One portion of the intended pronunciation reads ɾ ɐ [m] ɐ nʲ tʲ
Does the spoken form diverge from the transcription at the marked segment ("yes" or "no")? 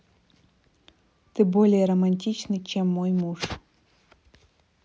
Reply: no